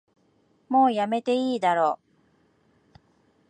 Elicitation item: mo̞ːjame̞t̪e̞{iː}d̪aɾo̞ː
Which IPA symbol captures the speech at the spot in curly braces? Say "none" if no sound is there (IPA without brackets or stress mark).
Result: iː